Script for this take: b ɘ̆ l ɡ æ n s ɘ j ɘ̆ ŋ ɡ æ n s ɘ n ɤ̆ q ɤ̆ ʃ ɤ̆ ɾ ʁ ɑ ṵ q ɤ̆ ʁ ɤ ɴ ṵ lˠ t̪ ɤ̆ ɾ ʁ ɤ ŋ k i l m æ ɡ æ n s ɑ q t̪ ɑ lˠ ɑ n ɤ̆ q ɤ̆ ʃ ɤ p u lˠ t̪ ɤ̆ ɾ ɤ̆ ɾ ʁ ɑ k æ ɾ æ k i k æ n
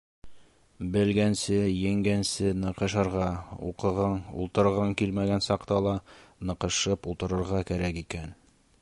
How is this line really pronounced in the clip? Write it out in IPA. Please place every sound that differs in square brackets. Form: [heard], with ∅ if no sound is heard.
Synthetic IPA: b ɘ̆ l ɡ æ n s ɘ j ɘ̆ ŋ ɡ æ n s ɘ n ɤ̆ q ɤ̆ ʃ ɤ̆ ɾ ʁ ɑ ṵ q ɤ̆ ʁ ɤ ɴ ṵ lˠ t̪ ɤ̆ ɾ ʁ ɤ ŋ k i l m æ ɡ æ n s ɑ q t̪ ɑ lˠ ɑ n ɤ̆ q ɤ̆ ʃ ɤ p u lˠ t̪ ɤ̆ ɾ ɤ̆ ɾ ʁ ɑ k æ ɾ æ k i k æ n